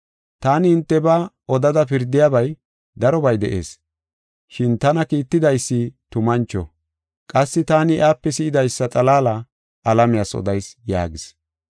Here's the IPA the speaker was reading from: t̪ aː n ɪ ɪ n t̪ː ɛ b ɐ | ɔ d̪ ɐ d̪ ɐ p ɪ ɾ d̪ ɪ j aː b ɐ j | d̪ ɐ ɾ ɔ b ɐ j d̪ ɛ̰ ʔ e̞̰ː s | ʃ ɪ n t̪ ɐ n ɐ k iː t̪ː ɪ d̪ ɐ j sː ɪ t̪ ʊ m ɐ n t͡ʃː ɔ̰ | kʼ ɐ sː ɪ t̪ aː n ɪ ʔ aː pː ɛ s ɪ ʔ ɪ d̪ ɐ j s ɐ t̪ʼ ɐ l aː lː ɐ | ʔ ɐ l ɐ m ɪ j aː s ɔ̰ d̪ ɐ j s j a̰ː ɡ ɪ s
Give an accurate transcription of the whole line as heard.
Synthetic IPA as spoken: t̪ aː n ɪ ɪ n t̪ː ɛ b ɐ | ɔ d̪ ɐ d̪ ɐ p ɪ ɾ d̪ ɪ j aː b ɐ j | d̪ ɐ ɾ ɔ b ɐ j d̪ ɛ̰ ʔ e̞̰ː s | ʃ ɪ n t̪ ɐ n ɐ k iː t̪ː ɪ d̪ ɐ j sː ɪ t̪ ʊ m ɐ n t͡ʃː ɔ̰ | kʼ ɐ sː ɪ t̪ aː n ɪ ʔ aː pː ɛ s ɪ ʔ ɪ d̪ ɐ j sː ɐ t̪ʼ ɐ l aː l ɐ | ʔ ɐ l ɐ m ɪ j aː s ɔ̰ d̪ ɐ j s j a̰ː ɡ ɪ s